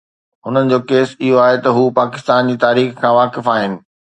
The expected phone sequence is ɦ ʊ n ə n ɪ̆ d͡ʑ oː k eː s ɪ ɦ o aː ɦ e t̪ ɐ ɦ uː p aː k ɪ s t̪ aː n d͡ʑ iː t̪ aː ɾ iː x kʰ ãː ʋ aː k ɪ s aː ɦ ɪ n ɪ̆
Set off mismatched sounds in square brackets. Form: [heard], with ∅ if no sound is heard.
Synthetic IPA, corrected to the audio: ɦ ʊ n ə n ɪ̆ d͡ʑ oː k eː s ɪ ɦ o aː ɦ e t̪ ɐ ɦ uː p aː k ɪ s t̪ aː n d͡ʑ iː t̪ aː ɾ iː x kʰ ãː ʋ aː k ɪ [f] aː ɦ ɪ n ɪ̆